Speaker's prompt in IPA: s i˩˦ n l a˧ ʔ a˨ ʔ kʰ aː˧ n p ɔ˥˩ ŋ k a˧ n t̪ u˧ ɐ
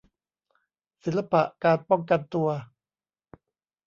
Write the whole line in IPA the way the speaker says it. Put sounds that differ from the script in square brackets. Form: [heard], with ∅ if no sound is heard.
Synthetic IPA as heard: s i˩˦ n l a˧ [p] a˨ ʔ [k] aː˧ n p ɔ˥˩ ŋ k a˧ n t̪ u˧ ɐ